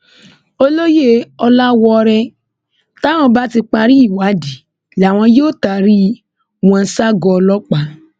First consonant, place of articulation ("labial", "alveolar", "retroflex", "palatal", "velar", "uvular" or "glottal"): alveolar